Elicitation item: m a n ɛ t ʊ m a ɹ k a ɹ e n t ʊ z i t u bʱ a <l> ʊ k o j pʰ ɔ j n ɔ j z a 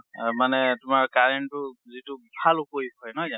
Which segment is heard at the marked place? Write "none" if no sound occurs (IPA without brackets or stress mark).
l